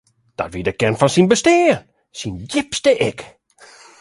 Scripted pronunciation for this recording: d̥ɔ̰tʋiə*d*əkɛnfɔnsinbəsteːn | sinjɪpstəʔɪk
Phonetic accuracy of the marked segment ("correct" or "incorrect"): correct